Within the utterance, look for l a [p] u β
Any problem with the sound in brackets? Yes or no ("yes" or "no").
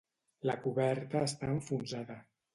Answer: yes